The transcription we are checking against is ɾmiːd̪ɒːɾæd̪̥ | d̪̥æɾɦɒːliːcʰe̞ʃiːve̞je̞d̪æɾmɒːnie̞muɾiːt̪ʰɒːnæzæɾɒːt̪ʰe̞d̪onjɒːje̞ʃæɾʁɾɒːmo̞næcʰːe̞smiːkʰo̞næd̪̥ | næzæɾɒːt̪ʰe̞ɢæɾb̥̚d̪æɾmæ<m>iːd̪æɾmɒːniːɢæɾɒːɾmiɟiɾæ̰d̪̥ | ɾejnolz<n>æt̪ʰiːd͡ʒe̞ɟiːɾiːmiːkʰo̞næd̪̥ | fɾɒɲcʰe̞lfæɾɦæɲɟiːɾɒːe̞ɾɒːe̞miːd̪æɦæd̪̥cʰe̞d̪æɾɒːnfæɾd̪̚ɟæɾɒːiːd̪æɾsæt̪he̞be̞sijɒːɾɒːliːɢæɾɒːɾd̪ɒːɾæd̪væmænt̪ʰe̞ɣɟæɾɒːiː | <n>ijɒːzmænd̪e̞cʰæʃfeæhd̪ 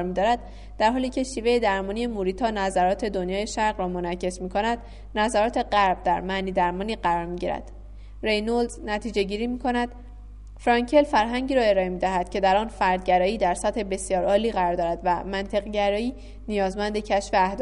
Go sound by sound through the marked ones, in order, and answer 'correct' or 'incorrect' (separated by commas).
incorrect, correct, correct